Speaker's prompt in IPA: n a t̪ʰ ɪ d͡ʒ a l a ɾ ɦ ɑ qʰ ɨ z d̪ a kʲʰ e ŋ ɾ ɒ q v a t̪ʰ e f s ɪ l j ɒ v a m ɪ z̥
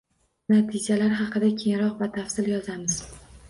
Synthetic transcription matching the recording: n a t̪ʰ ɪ d͡ʒ a l a ɾ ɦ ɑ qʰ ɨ d̪ a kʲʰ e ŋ ɾ ɒ q v a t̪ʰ a f s ɪ l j ɒ z a m ɪ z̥